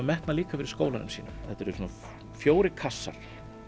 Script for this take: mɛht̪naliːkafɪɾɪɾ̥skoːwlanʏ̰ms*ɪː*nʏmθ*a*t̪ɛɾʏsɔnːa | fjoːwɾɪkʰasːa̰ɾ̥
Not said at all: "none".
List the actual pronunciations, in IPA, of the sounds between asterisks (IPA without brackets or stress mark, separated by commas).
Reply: iː, ɛ